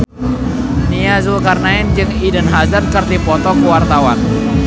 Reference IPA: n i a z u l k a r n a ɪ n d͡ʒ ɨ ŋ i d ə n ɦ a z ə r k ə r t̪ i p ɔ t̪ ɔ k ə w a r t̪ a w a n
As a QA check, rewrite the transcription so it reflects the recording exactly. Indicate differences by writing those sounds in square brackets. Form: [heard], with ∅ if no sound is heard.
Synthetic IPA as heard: n i a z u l k a r n a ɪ n d͡ʒ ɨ ŋ i d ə n ɦ a z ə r k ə r t̪ i p ɔ t̪ ɔ k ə w a r t̪ a w a n